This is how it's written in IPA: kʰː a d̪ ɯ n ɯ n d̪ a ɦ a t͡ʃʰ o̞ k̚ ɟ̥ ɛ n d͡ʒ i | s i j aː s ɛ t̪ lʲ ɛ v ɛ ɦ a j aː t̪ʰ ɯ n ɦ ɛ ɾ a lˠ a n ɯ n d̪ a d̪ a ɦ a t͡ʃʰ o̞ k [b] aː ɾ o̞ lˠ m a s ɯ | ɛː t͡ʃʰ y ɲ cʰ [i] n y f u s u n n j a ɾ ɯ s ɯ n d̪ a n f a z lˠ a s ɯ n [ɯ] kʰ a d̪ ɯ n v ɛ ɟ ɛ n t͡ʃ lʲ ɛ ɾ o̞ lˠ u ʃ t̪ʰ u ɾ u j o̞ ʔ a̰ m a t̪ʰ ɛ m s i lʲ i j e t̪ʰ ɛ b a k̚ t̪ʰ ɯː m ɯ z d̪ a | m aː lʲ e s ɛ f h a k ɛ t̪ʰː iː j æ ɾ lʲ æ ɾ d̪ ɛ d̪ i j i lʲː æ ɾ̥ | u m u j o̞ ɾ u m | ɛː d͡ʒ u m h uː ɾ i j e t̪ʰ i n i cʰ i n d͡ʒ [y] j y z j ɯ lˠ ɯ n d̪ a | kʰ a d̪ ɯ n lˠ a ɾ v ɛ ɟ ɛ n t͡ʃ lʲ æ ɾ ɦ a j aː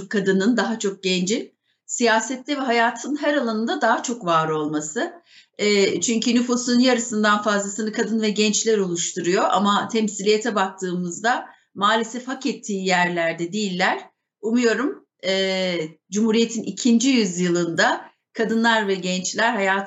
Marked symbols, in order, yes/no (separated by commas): no, no, yes, no